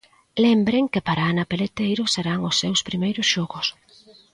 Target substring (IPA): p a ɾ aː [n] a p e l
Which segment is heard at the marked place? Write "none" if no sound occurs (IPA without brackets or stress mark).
n